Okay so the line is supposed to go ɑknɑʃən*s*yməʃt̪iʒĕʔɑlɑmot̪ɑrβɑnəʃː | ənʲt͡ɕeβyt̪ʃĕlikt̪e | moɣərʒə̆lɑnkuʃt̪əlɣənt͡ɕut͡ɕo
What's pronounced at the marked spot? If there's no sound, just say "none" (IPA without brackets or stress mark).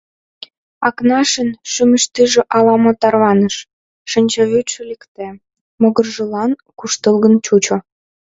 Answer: ʃ